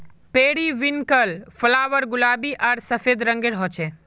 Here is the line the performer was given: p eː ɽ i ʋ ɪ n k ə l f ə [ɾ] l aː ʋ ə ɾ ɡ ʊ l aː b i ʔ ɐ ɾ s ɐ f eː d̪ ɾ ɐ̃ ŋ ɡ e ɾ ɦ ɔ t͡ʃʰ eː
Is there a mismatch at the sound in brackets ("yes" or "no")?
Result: yes